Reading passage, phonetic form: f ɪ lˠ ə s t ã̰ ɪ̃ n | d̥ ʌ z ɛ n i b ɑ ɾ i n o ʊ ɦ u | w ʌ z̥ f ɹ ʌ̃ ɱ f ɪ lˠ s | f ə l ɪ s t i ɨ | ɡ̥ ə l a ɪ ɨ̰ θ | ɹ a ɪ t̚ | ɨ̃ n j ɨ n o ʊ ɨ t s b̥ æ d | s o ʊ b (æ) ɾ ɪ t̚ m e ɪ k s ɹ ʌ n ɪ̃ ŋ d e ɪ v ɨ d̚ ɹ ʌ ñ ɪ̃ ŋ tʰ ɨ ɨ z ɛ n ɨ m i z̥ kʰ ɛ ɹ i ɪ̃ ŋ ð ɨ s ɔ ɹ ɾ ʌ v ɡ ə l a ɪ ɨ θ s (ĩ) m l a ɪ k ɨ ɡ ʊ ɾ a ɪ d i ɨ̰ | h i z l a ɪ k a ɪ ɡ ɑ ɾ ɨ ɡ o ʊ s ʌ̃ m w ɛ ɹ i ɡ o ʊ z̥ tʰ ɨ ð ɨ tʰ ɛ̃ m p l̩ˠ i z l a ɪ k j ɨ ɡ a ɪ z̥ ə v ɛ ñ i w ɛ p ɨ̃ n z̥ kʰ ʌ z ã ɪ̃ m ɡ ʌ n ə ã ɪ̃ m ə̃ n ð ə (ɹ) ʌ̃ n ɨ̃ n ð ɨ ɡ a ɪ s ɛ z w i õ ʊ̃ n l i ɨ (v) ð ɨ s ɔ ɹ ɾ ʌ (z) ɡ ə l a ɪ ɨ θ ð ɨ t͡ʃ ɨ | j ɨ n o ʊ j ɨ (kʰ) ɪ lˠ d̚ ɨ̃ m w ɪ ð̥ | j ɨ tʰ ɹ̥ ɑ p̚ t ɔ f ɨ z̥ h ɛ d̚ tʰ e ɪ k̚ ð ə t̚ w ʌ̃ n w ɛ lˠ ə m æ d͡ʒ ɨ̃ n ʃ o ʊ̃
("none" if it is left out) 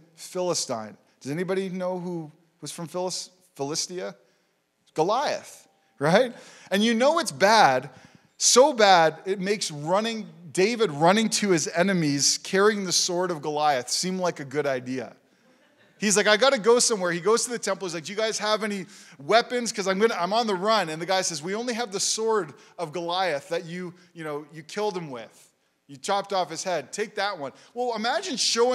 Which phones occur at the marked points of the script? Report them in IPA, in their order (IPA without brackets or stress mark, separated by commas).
æ, ĩ, ɹ, v, v, kʰ